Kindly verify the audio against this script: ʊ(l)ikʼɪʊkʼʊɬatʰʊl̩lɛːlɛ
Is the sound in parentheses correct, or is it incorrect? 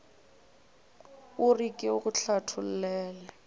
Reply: incorrect